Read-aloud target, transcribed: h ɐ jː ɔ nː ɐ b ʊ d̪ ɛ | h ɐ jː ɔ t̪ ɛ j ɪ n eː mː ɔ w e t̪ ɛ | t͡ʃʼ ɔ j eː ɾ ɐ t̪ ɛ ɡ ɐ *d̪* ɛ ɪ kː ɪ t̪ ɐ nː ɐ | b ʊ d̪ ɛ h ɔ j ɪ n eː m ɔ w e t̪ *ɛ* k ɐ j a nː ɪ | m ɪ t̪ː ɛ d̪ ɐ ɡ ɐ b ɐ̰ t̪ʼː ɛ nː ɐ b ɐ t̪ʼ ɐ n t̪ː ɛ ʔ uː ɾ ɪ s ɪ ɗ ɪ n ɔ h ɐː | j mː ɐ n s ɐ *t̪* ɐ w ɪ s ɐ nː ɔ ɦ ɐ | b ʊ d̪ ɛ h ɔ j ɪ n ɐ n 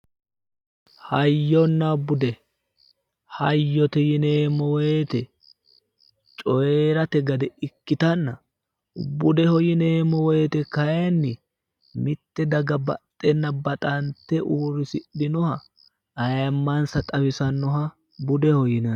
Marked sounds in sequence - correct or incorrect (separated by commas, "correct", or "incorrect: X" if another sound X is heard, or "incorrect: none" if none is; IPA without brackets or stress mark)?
correct, correct, incorrect: t̪ʼ